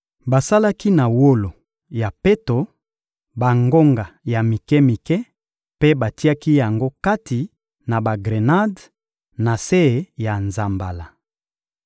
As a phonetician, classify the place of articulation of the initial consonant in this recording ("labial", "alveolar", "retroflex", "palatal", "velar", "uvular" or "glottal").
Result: labial